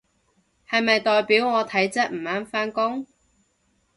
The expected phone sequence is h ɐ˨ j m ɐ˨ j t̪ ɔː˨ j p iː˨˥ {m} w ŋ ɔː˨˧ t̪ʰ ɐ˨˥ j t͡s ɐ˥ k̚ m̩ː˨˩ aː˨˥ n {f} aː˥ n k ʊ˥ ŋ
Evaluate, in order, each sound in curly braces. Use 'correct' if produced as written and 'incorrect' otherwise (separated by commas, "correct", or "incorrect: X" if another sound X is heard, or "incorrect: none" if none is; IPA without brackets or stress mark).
incorrect: none, correct